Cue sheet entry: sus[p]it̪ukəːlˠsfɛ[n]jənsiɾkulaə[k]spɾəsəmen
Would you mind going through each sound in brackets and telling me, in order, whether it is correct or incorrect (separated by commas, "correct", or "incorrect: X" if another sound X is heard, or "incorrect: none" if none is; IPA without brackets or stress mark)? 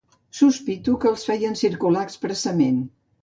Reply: correct, incorrect: none, correct